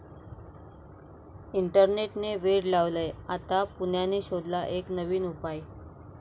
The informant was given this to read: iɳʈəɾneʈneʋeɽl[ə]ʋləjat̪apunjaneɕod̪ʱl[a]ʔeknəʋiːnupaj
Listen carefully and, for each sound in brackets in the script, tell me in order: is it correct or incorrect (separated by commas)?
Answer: incorrect, correct